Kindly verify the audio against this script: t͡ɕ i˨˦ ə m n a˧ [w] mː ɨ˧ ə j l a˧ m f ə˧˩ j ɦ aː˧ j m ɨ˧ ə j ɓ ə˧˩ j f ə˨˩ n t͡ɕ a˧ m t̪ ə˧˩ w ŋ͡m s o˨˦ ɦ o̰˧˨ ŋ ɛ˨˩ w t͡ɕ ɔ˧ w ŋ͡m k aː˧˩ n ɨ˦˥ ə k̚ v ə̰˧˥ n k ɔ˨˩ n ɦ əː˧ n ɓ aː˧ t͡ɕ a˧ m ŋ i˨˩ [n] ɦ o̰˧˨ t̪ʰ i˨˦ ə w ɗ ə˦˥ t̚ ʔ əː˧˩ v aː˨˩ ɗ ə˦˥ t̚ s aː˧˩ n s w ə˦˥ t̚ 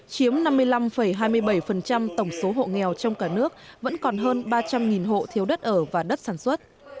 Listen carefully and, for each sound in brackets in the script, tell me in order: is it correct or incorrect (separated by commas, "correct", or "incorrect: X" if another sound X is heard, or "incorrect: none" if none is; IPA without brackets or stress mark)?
incorrect: none, correct